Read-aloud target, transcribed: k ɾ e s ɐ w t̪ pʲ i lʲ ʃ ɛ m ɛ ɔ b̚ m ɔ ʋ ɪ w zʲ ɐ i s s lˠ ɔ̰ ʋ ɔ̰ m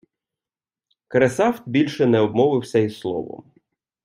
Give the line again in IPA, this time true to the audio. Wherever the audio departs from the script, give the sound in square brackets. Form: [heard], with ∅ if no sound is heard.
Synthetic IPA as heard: k ɾ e s [ɑ] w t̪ [bʲ] i lʲ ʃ ɛ [n] ɛ ɔ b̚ m ɔ ʋ ɪ w [sʲ] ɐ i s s lˠ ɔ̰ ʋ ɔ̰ m